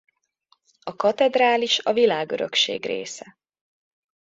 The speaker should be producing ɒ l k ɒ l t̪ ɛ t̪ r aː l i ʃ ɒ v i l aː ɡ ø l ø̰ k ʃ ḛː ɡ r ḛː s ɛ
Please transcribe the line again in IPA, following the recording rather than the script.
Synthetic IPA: ɒ k ɒ t̪ ɛ d̪ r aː l i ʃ ɒ v i l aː ɡ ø ɾ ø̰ k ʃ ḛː ɡ r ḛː s ɛ